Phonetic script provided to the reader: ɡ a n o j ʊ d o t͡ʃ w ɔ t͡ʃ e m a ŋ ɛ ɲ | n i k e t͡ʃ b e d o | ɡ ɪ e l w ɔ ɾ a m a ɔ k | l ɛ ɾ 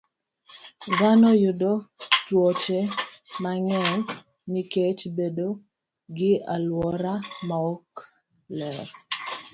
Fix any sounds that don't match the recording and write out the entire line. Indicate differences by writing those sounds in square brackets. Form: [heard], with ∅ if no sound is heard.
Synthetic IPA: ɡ a n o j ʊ d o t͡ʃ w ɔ t͡ʃ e m a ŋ ɛ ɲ | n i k e t͡ʃ b e d o | ɡ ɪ [a] l w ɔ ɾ a m a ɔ k | l ɛ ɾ